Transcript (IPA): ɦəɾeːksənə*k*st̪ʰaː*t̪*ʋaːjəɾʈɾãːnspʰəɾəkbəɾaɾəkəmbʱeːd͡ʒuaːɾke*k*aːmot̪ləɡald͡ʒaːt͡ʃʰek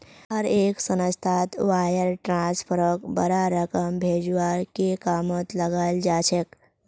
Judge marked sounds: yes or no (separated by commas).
no, yes, yes